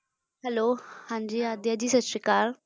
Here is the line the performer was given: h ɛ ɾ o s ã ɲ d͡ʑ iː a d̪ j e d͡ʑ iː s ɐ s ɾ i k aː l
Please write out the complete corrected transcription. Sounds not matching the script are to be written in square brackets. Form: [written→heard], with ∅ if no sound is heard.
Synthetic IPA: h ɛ [ɾ→l] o [s→h] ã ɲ d͡ʑ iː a d̪ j [e→a] d͡ʑ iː s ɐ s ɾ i k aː [l→ɾ]